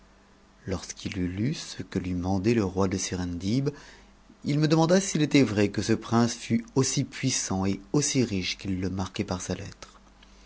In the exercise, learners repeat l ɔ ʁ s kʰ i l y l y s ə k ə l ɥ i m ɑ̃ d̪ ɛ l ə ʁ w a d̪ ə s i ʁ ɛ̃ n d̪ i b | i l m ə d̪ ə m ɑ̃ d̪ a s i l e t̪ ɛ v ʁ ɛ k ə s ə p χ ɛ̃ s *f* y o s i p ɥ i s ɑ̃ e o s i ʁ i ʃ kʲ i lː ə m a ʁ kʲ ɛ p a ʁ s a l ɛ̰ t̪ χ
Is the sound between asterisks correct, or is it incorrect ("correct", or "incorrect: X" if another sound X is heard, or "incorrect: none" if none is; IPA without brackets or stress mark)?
correct